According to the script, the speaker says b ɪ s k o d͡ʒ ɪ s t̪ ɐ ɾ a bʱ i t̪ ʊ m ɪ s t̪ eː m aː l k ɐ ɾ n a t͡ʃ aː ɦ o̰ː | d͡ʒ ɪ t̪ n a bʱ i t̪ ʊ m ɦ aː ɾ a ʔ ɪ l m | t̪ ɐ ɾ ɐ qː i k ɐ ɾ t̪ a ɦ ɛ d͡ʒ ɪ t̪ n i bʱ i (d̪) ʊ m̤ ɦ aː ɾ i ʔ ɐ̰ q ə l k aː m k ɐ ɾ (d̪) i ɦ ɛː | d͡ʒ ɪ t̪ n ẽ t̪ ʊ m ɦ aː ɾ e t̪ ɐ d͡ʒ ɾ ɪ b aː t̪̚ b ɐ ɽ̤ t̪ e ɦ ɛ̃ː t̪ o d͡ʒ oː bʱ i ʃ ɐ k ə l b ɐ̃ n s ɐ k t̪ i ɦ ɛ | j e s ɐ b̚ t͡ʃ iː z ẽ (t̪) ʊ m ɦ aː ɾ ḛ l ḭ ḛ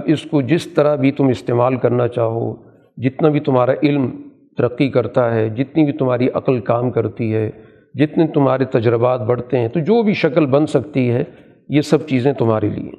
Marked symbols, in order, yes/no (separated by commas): no, no, yes